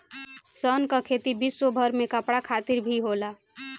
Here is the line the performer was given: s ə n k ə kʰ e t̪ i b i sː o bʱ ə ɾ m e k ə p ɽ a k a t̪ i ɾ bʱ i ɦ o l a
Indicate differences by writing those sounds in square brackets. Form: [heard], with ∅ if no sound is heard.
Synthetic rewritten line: s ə n k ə kʰ e t̪ i b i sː o bʱ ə ɾ m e k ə p ɽ a [kʰ] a t̪ i ɾ bʱ i ɦ o l a